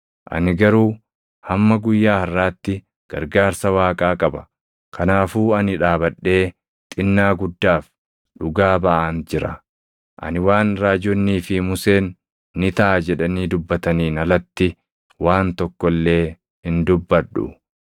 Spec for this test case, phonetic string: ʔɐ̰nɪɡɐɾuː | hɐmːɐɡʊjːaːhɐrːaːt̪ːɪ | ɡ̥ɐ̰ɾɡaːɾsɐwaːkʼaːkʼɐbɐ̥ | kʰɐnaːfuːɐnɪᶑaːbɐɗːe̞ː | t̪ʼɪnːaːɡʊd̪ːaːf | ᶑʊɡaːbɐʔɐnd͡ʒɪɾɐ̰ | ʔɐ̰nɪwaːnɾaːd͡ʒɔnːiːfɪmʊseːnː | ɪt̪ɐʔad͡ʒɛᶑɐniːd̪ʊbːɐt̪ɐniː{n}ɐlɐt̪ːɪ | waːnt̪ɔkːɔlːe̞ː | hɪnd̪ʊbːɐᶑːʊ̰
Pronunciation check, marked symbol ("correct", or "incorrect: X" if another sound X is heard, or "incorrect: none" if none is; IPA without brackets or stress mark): correct